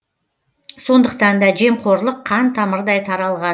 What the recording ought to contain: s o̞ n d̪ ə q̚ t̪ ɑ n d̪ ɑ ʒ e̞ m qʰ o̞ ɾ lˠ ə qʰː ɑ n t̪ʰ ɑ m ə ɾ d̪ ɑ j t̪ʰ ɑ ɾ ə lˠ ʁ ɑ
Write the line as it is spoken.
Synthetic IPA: s o̞ n d̪ ə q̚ t̪ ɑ n d̪ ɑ ʒ e̞ m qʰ o̞ ɾ lˠ ə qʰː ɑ n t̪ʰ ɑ m ə ɾ d̪ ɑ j t̪ʰ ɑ ɾ ɑ lˠ ʁ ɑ